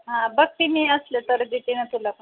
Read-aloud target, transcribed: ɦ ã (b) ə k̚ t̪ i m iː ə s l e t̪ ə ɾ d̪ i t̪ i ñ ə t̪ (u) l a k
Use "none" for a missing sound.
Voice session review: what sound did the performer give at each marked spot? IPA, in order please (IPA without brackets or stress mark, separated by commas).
b, u